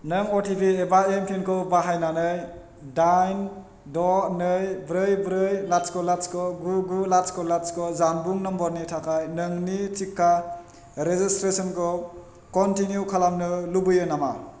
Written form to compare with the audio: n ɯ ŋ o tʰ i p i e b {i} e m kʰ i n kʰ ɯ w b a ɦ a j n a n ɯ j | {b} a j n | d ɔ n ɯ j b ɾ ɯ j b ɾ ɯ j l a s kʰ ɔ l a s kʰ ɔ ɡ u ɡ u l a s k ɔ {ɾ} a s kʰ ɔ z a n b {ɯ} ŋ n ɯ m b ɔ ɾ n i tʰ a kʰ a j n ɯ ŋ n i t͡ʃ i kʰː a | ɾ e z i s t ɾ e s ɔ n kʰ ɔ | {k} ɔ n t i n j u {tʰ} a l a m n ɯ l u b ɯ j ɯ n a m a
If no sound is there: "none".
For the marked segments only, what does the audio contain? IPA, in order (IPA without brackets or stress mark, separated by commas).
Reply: a, d, l, u, k, kʰ